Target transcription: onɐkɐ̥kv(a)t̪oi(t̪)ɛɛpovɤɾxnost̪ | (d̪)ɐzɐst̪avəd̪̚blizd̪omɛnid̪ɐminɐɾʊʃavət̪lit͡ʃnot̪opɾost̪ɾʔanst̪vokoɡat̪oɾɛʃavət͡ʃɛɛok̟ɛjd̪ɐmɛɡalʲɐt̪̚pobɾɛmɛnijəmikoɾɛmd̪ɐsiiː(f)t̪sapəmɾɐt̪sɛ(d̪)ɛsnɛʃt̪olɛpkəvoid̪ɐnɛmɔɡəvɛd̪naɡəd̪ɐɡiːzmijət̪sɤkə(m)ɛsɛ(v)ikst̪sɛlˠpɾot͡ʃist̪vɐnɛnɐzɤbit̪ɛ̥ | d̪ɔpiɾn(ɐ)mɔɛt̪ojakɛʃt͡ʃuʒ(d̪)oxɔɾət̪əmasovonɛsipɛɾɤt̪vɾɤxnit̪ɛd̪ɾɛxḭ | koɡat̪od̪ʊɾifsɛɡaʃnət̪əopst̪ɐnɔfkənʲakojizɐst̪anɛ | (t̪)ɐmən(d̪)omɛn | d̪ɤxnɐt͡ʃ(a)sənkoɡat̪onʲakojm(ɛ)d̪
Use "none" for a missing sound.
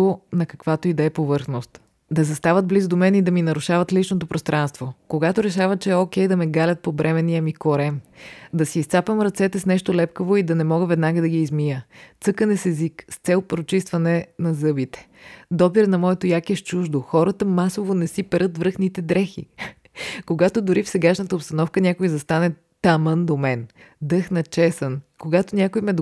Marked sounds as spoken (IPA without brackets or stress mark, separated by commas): a, d̪, d̪, s, t̪, n, z, ɐ, d̪, t̪, d̪, ɛ, ɛ